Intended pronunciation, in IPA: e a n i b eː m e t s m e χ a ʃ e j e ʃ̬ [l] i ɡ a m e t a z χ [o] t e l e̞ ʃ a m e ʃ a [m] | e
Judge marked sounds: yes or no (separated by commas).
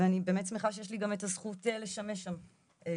yes, no, yes